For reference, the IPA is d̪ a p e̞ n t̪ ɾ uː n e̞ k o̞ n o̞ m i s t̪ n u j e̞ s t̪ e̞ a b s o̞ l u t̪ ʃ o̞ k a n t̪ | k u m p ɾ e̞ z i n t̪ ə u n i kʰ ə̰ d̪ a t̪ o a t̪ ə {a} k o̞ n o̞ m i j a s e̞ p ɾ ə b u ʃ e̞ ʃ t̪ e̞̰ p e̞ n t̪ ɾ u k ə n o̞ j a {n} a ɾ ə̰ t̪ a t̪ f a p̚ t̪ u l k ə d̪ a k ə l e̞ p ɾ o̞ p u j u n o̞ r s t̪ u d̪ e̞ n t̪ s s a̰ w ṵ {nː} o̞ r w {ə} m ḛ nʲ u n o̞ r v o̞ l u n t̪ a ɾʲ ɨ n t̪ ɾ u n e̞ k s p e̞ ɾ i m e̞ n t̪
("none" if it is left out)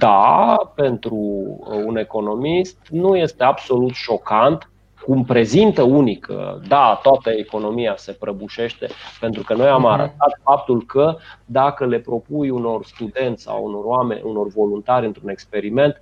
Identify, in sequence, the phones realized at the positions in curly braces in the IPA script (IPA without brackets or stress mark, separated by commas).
e, m, n, a